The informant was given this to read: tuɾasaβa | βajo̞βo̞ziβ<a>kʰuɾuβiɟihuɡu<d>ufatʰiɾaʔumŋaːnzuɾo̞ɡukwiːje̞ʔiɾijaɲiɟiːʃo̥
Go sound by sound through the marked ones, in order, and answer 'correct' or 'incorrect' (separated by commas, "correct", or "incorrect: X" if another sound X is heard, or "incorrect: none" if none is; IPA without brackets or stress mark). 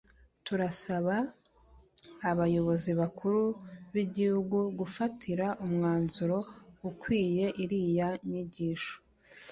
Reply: correct, incorrect: ɡ